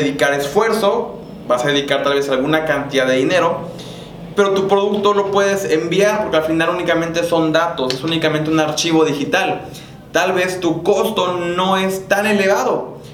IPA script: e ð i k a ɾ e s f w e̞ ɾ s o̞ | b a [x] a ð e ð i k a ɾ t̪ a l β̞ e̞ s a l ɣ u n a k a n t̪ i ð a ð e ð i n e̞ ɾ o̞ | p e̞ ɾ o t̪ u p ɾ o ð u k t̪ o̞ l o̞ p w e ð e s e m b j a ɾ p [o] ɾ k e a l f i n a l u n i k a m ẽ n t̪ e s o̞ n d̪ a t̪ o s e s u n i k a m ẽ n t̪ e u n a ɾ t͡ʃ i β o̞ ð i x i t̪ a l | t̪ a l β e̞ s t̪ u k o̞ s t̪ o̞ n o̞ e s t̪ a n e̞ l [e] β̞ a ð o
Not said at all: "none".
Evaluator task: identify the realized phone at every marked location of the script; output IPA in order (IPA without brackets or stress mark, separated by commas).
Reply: s, o, e